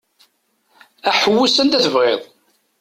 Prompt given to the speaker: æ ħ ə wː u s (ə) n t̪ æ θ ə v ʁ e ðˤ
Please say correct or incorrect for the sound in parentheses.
correct